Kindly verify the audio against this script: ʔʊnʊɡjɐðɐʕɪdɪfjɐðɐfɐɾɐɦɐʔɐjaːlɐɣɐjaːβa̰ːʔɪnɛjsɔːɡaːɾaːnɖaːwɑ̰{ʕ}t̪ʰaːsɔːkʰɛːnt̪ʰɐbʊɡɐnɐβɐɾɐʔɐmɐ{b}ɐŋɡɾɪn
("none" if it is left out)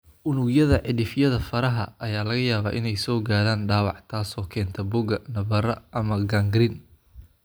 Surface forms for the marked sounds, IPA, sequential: ʕ, ɡ

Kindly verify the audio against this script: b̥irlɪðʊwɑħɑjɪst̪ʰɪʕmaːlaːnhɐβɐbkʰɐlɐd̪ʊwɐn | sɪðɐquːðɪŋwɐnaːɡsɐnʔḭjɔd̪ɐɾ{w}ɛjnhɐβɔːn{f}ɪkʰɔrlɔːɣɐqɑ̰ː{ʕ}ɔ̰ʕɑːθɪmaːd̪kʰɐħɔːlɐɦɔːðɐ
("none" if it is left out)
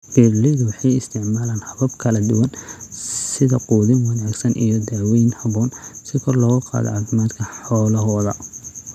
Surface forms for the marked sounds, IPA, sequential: w, s, ð

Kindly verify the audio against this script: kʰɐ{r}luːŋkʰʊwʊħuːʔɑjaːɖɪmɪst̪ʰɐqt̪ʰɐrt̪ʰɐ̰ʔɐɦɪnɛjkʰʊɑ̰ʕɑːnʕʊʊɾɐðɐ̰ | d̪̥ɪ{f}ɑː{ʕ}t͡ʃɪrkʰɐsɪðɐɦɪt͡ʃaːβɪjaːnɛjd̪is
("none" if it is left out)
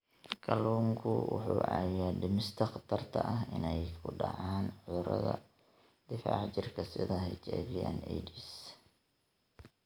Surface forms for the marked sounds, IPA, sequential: none, f, ʕ

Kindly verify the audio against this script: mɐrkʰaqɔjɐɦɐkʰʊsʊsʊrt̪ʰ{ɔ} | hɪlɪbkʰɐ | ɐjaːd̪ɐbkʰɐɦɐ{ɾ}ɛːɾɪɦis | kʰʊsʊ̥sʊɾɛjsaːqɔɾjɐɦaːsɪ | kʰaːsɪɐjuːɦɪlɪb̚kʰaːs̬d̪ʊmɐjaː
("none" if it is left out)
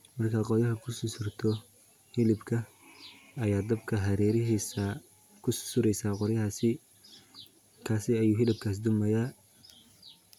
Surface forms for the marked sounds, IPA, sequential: ɔ, ɾ

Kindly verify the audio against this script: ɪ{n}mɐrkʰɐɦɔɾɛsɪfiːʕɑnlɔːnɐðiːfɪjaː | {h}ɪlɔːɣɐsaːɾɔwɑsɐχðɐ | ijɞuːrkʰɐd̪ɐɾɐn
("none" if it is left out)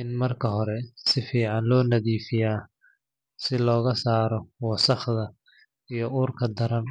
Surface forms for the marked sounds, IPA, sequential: n, s

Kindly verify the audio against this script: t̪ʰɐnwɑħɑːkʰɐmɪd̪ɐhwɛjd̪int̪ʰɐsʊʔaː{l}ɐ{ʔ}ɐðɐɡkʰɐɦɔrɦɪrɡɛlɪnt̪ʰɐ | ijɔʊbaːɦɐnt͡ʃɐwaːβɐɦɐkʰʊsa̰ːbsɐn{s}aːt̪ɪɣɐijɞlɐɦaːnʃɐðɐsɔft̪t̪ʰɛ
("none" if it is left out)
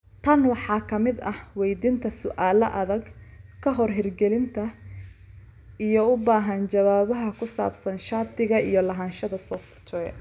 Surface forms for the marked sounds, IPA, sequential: l, ʔ, ʃ

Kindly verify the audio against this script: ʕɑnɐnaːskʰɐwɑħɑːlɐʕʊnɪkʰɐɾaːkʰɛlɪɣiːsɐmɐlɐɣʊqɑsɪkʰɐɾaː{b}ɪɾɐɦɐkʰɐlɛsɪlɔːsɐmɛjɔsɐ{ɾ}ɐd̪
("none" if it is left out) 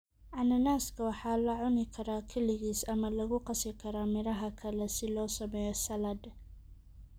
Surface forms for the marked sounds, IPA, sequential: m, l

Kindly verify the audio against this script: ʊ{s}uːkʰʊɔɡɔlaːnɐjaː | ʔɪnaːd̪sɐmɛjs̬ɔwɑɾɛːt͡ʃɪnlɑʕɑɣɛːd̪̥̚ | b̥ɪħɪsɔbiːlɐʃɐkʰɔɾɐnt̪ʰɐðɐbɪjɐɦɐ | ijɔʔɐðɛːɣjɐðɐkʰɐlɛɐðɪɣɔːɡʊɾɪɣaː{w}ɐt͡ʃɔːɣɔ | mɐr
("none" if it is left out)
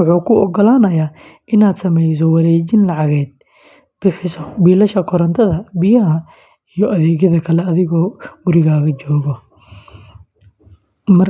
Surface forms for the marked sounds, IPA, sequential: ħ, ɣ

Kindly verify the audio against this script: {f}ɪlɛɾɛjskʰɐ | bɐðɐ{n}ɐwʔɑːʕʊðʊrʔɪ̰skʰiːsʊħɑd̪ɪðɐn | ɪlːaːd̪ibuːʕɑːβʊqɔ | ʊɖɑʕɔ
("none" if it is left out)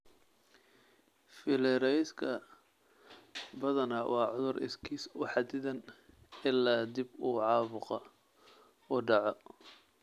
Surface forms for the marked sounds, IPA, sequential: f, n

